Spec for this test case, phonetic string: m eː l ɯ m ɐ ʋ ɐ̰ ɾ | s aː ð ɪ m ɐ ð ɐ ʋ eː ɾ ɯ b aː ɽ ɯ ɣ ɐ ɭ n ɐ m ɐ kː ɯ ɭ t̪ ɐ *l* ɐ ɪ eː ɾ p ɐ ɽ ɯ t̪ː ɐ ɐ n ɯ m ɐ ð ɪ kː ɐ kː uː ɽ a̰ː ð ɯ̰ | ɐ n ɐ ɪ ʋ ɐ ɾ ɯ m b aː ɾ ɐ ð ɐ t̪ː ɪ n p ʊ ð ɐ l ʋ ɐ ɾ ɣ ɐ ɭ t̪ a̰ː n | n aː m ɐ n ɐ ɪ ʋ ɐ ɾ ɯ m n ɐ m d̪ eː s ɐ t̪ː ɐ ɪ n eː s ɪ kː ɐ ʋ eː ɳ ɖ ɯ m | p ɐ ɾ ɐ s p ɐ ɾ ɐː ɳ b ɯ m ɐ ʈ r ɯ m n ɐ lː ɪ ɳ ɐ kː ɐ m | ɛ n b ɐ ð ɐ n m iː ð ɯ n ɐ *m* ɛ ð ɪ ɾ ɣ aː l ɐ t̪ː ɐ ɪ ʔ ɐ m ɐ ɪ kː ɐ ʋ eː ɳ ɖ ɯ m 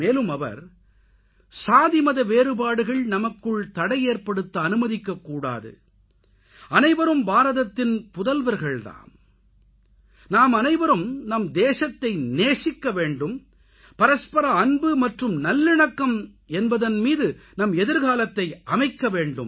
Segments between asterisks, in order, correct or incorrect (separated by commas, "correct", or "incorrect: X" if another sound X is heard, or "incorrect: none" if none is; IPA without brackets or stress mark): incorrect: ɽ, correct